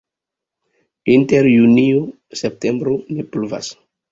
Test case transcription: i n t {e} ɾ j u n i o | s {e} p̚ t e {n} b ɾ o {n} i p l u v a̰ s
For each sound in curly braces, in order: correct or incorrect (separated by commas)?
correct, correct, incorrect, correct